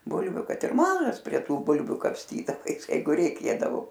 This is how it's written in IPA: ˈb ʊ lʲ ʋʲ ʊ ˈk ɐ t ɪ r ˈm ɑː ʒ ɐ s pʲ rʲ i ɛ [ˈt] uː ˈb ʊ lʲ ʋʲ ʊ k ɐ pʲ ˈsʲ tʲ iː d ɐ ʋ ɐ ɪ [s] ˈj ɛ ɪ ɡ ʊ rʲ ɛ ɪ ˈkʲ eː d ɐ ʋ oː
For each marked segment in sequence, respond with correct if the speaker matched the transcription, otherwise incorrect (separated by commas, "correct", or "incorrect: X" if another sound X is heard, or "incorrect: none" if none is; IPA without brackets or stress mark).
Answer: correct, correct